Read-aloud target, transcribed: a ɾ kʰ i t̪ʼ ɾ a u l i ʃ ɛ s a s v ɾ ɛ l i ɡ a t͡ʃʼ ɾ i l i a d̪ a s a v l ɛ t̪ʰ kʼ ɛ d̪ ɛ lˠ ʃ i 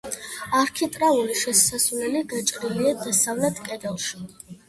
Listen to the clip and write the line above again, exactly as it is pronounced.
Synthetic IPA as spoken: a ɾ kʰ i t̪ʼ ɾ a u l i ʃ ɛ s a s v l ɛ l i ɡ a t͡ʃʼ ɾ i l i a d̪ a s a v l ɛ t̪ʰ kʼ ɛ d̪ ɛ lˠ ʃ i